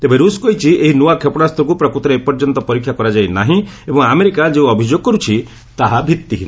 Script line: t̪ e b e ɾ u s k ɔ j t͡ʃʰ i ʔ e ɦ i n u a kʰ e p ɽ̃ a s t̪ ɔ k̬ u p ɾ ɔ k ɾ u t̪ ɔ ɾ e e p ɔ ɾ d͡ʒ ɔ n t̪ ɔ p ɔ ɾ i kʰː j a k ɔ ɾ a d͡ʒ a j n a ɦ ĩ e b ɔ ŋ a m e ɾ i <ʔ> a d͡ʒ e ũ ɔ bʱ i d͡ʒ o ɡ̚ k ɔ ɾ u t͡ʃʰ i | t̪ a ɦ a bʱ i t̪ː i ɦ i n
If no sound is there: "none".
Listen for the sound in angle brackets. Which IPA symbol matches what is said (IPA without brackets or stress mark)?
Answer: k